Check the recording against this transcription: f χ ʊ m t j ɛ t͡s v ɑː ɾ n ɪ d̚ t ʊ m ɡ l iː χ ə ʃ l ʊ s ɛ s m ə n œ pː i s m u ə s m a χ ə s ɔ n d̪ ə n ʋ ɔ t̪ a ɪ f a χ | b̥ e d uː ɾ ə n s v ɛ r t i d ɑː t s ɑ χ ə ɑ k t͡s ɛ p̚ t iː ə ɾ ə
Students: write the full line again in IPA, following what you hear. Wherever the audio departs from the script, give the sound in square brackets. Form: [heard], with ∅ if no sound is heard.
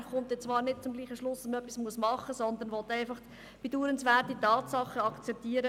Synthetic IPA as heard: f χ ʊ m t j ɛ t͡s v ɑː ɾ n ɪ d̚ [t͡s] ʊ m ɡ l iː χ ə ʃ l ʊ s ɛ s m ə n œ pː i s m u ə s m [ɑ] χ ə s ɔ n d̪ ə n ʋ ɔ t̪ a ɪ f [ɑ] χ | b̥ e d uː ɾ ə n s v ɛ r t i [t] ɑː t s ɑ χ ə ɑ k t͡s ɛ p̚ t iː ə ɾ ə